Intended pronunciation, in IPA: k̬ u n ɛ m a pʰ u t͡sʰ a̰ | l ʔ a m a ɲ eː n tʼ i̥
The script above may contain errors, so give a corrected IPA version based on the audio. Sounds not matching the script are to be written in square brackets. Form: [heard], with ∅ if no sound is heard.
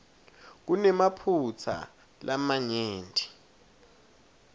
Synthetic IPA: k̬ u n ɛ m a pʰ u t͡sʰ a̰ | l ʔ a m a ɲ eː n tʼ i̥